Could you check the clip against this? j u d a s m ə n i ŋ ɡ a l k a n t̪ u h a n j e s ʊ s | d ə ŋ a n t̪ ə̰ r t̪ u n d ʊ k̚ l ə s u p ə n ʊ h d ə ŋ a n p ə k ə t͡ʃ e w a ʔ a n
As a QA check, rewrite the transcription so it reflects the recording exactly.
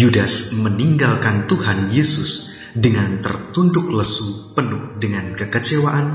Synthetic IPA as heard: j u d a s m ə n i ŋ ɡ a l k a n t̪ u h a n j e s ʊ s | d ə ŋ a n t̪ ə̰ r t̪ u n d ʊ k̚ l ə s u p ə n ʊ h d ə ŋ a n k ə k ə t͡ʃ e w a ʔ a n